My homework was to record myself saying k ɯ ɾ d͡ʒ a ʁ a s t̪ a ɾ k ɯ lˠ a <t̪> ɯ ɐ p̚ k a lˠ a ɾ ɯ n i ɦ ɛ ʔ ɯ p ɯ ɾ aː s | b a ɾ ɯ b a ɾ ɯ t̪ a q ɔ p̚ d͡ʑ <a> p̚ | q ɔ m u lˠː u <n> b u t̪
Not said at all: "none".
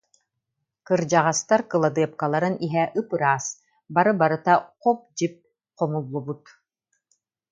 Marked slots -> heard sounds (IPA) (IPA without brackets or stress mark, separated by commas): d̪, i, none